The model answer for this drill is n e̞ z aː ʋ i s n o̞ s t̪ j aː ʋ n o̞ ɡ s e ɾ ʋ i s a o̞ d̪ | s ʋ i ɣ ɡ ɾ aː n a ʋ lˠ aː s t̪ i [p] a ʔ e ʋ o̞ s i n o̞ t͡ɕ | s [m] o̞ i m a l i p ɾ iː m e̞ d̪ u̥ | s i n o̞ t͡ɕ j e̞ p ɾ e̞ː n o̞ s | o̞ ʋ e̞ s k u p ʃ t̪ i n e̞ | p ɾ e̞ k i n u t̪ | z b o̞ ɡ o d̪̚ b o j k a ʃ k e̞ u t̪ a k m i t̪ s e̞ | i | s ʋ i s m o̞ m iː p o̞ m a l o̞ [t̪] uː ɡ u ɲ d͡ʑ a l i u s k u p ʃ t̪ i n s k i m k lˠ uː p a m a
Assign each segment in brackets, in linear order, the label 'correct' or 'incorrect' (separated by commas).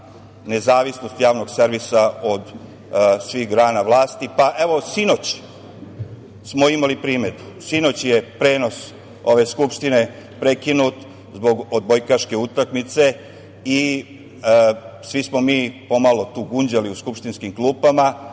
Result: correct, correct, correct